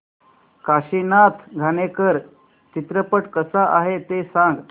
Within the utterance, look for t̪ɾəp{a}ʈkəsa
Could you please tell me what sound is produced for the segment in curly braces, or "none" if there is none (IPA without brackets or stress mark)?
ə